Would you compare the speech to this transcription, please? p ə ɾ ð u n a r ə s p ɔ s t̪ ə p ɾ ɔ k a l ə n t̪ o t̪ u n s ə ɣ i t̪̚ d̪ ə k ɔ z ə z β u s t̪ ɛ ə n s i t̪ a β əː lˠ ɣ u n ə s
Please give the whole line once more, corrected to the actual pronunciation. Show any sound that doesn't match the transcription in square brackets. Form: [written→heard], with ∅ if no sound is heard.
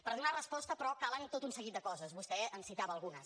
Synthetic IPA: p ə ɾ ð u n a r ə s p ɔ s t̪ ə p ɾ ɔ k a l ə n t̪ o t̪ u n s ə ɣ i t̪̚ d̪ ə k ɔ z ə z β u s t̪ ɛ ə n s i t̪ a β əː lˠ ɣ u n ə s